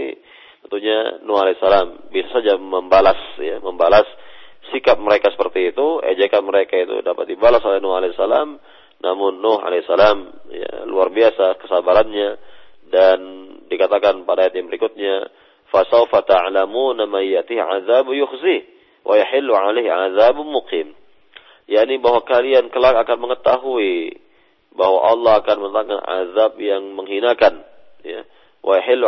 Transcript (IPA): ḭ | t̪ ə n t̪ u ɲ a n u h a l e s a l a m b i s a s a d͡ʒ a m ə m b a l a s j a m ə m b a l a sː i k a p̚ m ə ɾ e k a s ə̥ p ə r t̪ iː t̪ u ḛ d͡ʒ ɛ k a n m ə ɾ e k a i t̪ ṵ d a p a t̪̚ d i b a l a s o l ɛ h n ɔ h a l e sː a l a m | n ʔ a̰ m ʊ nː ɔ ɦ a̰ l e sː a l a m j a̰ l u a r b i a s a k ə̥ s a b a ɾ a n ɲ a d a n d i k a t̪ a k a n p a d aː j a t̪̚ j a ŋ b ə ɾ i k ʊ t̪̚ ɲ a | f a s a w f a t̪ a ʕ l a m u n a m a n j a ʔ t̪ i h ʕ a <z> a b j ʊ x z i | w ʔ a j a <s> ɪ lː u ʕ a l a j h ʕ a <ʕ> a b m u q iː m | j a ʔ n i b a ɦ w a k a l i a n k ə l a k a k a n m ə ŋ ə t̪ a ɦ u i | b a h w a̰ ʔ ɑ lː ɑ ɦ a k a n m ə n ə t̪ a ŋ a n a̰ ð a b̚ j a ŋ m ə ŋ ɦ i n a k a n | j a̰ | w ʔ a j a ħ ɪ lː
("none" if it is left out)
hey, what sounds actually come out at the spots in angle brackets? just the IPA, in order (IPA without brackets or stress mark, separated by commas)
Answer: ð, ħ, ð